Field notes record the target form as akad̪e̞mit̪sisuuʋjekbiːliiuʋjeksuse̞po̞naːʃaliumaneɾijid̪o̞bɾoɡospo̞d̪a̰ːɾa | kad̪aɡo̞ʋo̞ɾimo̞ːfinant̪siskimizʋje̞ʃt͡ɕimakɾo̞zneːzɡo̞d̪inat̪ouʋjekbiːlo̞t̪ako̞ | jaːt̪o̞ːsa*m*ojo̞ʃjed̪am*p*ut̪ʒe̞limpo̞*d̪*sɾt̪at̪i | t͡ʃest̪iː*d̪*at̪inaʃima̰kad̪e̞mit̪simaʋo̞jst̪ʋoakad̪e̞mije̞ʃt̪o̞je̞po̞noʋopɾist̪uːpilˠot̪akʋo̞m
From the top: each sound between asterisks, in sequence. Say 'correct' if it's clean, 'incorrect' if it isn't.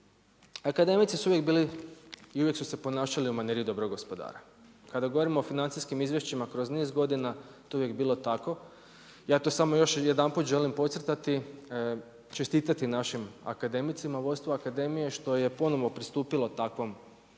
correct, correct, incorrect, incorrect

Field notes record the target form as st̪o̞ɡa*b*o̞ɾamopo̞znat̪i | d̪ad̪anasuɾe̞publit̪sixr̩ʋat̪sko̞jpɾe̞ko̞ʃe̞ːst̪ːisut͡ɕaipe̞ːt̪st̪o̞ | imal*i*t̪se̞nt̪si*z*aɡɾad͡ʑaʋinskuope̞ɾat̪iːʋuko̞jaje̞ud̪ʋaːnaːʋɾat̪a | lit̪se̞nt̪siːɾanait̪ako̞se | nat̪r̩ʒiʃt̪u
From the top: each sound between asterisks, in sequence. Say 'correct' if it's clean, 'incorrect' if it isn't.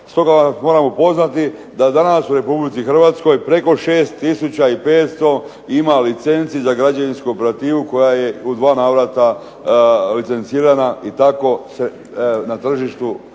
incorrect, correct, correct

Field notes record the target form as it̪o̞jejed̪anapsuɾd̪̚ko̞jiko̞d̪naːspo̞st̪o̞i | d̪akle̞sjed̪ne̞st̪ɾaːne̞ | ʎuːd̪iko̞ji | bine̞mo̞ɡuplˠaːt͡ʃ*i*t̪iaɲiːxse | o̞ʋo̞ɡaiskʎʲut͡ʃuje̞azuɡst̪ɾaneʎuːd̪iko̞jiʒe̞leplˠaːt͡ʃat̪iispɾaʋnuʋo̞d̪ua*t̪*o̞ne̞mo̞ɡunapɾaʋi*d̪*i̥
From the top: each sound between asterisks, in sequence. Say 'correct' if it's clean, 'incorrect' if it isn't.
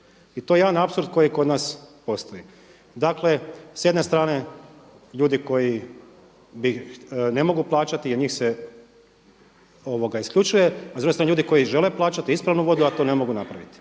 incorrect, correct, incorrect

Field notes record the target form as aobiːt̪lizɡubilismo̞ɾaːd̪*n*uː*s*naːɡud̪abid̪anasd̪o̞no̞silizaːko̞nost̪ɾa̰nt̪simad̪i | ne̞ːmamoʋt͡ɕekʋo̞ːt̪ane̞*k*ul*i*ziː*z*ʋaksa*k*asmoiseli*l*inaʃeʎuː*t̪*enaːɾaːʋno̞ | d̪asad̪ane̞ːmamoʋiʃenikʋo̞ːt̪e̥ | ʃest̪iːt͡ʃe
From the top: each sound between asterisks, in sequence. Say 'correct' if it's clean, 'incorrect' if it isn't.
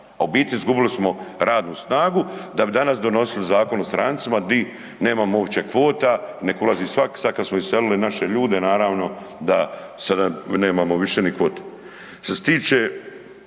correct, correct, correct, incorrect, incorrect, correct, correct, incorrect

